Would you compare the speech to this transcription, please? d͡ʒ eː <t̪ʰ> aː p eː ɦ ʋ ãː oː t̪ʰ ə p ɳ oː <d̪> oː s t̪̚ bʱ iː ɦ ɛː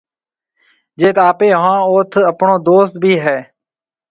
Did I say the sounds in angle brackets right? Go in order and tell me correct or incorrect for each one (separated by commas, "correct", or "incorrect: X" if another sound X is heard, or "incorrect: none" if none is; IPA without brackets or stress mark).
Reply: incorrect: t̪, correct